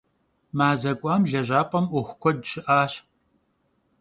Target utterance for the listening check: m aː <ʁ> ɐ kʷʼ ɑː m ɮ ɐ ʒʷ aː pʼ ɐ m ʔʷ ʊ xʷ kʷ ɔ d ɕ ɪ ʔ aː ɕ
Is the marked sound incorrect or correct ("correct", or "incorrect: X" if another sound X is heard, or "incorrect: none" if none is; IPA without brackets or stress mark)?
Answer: incorrect: z